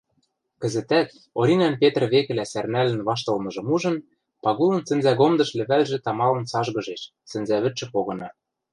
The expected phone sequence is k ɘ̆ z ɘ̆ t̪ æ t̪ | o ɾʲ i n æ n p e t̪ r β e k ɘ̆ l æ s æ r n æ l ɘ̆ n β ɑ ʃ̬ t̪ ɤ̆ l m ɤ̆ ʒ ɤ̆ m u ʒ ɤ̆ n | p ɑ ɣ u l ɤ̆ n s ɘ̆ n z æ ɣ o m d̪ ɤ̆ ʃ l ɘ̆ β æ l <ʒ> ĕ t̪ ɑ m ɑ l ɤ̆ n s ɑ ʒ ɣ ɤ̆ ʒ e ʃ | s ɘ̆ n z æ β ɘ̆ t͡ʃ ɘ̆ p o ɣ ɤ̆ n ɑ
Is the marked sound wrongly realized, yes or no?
no